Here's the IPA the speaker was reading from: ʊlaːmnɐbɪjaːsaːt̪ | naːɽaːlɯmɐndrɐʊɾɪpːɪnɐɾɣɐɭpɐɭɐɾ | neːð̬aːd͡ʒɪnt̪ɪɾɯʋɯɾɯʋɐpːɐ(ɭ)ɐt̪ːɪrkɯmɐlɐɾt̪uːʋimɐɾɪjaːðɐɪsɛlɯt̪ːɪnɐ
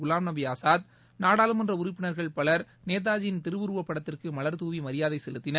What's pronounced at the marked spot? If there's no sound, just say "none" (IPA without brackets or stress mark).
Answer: ɽ